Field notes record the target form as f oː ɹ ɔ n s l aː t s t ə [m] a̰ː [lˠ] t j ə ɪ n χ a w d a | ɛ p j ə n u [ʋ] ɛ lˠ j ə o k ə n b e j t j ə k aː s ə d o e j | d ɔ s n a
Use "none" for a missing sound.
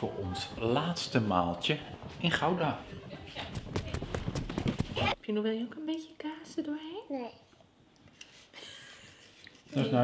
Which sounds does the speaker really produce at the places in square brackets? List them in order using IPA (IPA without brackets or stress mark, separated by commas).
m, lˠ, ʋ